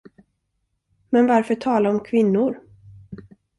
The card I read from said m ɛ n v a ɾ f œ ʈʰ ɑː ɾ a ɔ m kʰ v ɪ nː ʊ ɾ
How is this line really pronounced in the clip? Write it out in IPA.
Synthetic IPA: m ɛ n v a ɾ f œ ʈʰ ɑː l a ɔ m kʰ v ɪ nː ʊ ɾ